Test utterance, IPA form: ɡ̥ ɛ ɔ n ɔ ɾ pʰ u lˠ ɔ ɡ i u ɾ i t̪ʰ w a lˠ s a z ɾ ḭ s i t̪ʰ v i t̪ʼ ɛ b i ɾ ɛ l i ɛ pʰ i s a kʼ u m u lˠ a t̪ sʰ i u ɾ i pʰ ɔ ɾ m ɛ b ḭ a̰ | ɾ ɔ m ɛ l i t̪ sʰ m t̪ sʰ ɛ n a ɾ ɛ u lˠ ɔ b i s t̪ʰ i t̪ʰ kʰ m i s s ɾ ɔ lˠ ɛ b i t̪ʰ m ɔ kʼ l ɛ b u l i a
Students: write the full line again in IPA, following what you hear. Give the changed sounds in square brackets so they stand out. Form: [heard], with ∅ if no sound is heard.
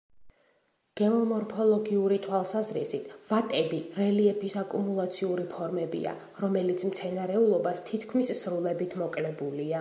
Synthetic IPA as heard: ɡ̥ ɛ ɔ [m] ɔ ɾ pʰ [ɔ] lˠ ɔ ɡ i u ɾ i t̪ʰ w a lˠ s a z ɾ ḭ s i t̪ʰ v [a] t̪ʼ ɛ b i ɾ ɛ l i ɛ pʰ i s a kʼ u m u lˠ a t̪ sʰ i u ɾ i pʰ ɔ ɾ m ɛ b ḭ a̰ | ɾ ɔ m ɛ l i t̪ sʰ m t̪ sʰ ɛ n a ɾ ɛ u lˠ ɔ b [a] s t̪ʰ i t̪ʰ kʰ m i s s ɾ [u] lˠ ɛ b i t̪ʰ m ɔ kʼ l ɛ b u l i a